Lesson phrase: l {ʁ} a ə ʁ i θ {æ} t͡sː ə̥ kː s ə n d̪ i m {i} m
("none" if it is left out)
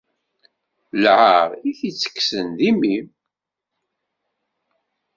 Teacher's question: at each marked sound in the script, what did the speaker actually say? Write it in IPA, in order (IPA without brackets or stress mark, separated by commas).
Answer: ʕ, i, i